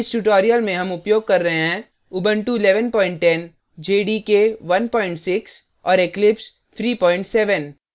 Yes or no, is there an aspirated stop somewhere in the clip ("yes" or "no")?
yes